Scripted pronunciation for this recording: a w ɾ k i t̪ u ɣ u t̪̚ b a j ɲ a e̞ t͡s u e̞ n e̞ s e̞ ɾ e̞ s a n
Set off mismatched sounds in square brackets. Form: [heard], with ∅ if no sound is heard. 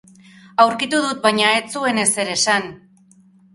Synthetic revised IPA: a w ɾ k i t̪ u [ð] u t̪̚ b a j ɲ a e̞ t͡s u e̞ n e̞ s e̞ ɾ e̞ s a n